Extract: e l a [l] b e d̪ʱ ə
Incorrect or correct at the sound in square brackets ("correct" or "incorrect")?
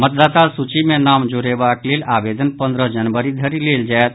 incorrect